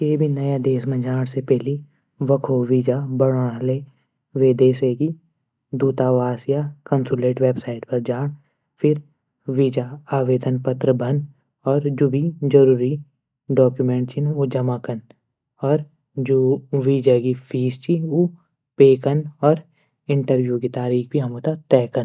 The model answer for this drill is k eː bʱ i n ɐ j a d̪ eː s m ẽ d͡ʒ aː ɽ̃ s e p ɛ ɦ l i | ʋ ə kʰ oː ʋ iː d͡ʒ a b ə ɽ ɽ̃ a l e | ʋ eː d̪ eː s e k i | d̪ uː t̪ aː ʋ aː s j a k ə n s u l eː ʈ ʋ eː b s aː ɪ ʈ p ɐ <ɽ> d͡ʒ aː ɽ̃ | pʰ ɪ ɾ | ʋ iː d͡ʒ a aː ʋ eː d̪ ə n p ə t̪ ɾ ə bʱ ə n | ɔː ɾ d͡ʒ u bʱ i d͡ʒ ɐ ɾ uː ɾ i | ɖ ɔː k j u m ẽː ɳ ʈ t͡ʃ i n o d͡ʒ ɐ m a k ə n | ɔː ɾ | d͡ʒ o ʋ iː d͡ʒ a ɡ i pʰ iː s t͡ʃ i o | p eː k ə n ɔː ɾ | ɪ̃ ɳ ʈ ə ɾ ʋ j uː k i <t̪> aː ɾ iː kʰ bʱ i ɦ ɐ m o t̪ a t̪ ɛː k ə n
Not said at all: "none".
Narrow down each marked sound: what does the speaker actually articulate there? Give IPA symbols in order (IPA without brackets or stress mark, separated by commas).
ɾ, t̪